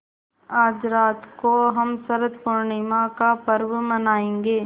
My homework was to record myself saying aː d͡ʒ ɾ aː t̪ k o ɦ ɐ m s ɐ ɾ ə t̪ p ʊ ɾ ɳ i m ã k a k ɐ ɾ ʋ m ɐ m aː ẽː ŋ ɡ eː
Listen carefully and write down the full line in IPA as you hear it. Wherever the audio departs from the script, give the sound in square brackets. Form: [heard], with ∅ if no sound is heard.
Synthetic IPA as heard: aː d͡ʒ ɾ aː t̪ k o ɦ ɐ m s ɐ ɾ ə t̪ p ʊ ɾ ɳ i m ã k a [p] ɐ ɾ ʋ m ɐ [n] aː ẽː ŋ ɡ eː